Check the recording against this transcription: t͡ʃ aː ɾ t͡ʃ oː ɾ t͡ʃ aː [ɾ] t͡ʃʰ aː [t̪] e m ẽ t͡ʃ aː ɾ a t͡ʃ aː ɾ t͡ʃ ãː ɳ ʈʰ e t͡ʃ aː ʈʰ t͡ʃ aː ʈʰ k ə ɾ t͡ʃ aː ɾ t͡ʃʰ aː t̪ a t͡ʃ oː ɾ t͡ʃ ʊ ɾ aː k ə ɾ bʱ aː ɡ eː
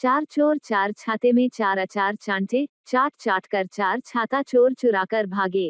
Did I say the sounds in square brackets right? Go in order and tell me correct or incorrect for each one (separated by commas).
correct, correct